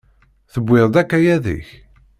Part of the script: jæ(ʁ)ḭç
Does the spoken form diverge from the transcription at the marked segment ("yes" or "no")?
yes